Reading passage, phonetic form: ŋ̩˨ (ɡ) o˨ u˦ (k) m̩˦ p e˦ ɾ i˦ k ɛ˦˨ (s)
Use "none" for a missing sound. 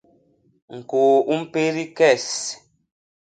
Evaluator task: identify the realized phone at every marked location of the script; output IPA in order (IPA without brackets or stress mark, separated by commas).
k, none, s